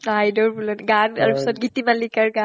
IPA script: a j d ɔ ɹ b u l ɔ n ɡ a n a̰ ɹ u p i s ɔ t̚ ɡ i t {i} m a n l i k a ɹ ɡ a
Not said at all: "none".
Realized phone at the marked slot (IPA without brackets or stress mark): i